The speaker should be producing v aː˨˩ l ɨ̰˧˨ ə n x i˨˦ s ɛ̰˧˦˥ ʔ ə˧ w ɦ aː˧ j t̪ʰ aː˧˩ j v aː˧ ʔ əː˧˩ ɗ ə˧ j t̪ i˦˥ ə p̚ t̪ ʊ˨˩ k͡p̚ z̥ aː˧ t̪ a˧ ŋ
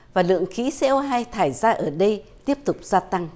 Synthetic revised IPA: v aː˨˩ l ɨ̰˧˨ ə ŋ x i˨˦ s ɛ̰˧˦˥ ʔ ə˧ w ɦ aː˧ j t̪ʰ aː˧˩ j z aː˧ ʔ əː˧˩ ɗ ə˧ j t̪ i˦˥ ə p̚ t̪ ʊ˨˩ k͡p̚ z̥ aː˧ t̪ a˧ ŋ